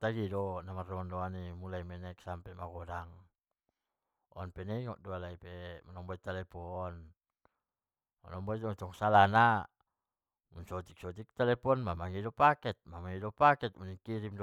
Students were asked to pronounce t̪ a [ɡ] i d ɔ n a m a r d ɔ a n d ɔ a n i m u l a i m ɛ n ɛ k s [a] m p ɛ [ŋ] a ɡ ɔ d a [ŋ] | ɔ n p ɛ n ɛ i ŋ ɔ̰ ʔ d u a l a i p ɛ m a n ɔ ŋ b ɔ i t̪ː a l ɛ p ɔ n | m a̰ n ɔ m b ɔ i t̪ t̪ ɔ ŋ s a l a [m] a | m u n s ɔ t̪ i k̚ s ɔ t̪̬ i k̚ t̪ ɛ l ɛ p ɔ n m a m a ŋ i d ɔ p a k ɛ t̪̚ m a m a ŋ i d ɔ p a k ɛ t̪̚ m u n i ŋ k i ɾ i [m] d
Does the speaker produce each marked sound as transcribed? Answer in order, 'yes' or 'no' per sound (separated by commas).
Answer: yes, yes, no, yes, no, yes